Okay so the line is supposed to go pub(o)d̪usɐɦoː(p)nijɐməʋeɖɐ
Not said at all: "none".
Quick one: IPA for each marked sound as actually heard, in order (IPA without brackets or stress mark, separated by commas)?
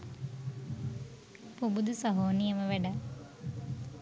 u, none